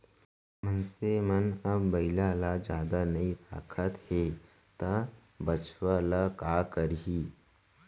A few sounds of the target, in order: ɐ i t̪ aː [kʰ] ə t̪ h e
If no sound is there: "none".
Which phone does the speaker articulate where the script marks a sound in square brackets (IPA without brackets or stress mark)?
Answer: kʰ